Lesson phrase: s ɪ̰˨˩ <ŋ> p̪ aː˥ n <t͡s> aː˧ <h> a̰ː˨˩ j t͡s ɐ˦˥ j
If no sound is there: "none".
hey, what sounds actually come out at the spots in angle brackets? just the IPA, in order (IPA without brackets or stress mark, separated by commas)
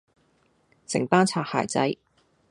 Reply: ŋ, t͡sʰ, h